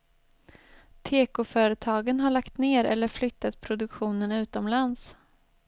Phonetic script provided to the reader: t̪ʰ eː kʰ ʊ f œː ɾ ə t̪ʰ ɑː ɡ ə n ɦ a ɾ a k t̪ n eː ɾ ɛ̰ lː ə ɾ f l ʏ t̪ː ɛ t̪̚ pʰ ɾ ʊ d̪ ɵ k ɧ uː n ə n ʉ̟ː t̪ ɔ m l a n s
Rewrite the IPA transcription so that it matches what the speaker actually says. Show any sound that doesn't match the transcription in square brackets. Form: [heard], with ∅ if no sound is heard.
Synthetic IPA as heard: t̪ʰ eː [k] ʊ f œː ɾ ə t̪ʰ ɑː ɡ ə n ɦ a [ɭ] a k t̪ n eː ɾ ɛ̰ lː ə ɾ f l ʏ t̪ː [a] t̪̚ pʰ ɾ ʊ d̪ ɵ k ɧ uː n ə n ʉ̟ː t̪ ɔ m l a n s